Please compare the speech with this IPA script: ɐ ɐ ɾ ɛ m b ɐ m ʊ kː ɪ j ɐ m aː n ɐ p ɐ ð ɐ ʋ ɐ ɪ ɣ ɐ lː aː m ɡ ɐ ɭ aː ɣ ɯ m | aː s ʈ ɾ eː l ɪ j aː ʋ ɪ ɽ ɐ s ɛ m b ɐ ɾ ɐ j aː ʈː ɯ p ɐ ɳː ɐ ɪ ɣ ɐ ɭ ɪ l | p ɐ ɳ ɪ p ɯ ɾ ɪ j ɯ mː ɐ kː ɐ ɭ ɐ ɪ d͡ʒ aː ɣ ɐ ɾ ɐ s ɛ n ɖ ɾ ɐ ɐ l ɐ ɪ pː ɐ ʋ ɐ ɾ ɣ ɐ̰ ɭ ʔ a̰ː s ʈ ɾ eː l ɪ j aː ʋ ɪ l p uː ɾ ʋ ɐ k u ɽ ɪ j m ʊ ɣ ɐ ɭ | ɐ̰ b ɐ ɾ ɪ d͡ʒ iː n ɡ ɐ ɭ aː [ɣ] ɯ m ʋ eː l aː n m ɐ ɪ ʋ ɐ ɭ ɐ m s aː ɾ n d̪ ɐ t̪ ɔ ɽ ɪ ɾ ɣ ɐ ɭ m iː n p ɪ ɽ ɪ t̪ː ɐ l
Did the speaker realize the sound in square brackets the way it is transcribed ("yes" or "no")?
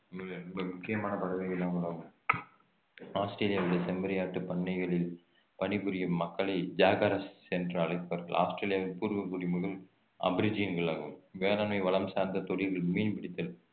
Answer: yes